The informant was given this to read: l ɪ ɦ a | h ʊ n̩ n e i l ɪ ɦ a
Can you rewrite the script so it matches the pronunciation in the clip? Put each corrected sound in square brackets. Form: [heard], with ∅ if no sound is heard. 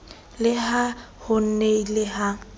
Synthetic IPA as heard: l ɪ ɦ a | h ʊ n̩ n e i l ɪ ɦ a